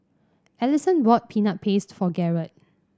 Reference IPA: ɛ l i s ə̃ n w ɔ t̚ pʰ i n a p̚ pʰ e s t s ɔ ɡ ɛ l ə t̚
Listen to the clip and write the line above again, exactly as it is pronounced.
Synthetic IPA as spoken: ɛ l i s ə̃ n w ɔ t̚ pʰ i n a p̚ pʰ e s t f ɔ ɡ ɛ ɹ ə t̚